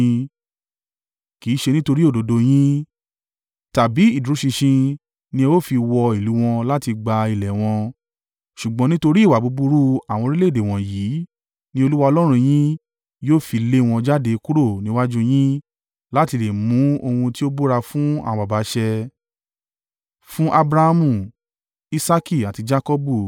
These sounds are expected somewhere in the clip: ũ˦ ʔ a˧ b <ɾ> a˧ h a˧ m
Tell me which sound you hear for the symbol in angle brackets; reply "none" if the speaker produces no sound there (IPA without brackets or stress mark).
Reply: ɾ